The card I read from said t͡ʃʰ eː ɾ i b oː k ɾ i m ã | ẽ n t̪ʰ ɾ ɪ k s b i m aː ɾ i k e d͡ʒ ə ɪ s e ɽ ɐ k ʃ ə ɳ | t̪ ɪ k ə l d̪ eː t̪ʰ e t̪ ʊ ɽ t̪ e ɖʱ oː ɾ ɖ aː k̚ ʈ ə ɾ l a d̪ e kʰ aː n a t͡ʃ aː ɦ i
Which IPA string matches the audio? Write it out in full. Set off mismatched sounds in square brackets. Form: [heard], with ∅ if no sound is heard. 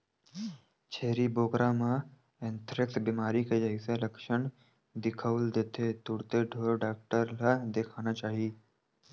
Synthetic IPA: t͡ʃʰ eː ɾ i b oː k ɾ [a] m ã | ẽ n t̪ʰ ɾ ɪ k s b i m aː ɾ i k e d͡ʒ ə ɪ s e [l] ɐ k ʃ ə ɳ | [d̪] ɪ [kʰ] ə l d̪ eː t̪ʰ e t̪ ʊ ɽ t̪ e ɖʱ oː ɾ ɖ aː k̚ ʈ ə ɾ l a d̪ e kʰ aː n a t͡ʃ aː ɦ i